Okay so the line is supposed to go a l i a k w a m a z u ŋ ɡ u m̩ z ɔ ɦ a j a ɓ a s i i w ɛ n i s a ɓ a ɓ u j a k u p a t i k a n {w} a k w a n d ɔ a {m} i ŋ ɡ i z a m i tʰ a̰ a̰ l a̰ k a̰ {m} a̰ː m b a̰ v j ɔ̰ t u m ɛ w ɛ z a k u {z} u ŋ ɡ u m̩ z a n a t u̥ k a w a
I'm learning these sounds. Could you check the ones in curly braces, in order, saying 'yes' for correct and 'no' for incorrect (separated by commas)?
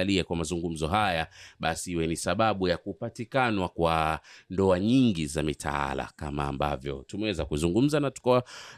yes, no, yes, yes